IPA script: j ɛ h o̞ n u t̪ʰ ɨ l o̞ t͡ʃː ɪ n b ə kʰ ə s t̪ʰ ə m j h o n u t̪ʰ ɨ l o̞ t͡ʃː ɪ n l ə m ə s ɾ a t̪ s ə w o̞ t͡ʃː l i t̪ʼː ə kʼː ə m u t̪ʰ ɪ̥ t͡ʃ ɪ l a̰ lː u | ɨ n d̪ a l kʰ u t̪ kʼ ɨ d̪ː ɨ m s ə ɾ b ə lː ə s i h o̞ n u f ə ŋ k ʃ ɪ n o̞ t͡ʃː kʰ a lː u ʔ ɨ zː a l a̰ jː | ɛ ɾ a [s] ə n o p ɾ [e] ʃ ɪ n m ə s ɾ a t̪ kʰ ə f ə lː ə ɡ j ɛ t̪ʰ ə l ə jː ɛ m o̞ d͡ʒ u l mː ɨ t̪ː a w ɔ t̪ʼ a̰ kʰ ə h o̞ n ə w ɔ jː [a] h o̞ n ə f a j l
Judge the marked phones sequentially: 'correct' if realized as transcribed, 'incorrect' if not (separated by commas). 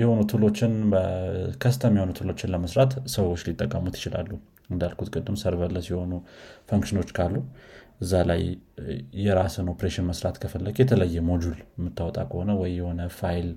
correct, correct, incorrect